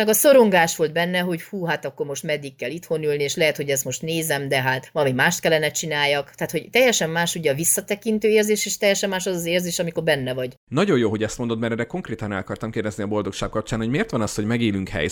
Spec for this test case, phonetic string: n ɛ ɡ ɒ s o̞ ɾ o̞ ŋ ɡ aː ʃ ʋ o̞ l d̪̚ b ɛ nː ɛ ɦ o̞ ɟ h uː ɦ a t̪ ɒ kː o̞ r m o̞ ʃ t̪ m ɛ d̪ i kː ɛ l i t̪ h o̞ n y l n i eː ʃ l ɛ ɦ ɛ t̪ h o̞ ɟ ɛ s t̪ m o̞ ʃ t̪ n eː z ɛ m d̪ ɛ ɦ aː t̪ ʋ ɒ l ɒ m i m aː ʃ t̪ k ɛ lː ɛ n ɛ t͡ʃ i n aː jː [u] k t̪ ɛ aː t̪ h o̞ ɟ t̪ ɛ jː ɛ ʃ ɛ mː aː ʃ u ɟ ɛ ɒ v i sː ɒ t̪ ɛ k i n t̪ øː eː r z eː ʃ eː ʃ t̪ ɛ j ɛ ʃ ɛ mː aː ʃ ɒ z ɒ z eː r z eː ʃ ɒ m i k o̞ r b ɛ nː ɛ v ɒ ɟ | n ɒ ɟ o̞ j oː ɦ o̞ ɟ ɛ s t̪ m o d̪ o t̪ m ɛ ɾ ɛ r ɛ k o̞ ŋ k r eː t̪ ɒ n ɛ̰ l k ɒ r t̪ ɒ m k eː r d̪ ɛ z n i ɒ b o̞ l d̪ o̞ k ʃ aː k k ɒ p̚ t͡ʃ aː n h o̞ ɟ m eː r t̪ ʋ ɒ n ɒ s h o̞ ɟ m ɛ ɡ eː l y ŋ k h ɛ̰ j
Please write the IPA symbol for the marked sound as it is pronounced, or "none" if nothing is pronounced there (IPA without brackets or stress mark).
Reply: ɒ